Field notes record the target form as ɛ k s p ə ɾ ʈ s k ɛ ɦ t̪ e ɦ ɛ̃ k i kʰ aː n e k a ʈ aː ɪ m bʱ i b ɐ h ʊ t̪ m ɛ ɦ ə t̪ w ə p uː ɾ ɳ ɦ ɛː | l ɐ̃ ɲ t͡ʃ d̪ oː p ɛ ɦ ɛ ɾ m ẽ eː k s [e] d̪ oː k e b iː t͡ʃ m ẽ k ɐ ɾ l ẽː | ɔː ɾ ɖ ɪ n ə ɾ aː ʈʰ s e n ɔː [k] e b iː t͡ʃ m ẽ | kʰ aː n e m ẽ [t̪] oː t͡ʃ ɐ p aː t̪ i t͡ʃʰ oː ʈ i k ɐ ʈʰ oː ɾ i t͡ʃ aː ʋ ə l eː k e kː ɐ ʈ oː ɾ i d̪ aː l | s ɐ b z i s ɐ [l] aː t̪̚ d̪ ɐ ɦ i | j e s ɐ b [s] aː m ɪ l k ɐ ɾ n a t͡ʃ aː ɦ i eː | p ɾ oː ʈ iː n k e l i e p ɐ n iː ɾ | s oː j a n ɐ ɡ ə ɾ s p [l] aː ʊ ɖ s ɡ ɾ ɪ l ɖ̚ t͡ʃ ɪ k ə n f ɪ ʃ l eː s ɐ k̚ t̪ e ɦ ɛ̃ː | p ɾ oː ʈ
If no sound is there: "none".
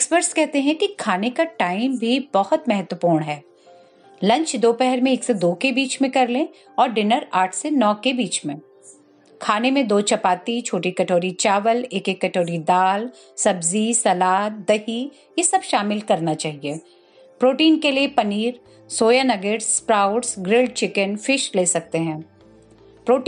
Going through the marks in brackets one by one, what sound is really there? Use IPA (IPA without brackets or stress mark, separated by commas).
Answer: e, k, d̪, l, ʃ, ɾ